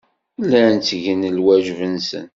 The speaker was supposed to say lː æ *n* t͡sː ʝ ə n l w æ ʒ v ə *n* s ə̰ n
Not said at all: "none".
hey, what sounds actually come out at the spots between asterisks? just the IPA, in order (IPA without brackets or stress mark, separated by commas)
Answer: n, n